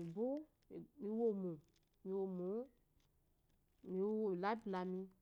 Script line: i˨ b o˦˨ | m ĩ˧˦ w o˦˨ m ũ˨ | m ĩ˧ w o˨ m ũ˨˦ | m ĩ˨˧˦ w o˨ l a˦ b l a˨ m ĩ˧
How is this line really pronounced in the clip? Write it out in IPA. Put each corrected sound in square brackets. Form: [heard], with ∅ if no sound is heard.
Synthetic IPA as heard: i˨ b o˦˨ | m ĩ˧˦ w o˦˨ m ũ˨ | m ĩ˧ w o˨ m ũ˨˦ | m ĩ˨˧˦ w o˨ l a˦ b l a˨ m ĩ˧